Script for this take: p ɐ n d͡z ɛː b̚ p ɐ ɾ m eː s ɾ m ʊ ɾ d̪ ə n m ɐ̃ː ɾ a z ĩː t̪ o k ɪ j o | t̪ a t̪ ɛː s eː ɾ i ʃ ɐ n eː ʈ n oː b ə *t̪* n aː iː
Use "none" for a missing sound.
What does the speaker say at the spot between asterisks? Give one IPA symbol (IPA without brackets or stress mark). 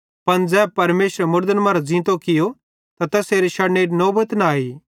t̪